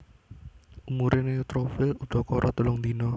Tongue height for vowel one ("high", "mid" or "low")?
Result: high